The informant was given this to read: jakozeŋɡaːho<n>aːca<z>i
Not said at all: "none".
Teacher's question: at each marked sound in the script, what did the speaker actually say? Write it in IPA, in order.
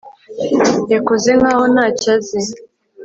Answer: n, z

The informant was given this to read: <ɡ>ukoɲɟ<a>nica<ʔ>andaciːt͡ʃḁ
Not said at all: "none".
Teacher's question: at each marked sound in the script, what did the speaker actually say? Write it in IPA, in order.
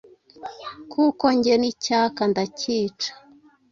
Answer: k, e, k

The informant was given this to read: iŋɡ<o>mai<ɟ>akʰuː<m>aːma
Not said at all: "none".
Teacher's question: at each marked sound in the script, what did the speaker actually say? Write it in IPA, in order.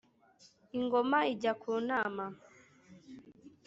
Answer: o, ɟ, n

